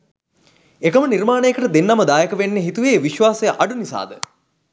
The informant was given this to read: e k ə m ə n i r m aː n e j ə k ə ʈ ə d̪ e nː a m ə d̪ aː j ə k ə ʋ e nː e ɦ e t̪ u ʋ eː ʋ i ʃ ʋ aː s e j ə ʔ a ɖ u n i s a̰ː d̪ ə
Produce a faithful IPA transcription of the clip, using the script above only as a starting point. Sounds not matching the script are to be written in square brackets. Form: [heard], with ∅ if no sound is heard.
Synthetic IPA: e k ə m ə n i r m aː n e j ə k ə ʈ ə d̪ e nː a m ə d̪ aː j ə k ə ʋ e nː e ɦ [i] t̪ u ʋ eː ʋ i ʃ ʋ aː s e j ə ʔ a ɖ u n i s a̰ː d̪ ə